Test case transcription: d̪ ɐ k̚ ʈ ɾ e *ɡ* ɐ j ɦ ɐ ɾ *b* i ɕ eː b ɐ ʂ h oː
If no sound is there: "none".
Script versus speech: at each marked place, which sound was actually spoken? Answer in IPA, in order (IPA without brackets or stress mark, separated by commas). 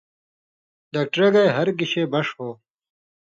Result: ɡ, ɡ